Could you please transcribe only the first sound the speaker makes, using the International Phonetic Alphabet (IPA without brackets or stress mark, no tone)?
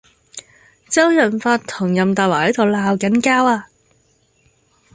t͡s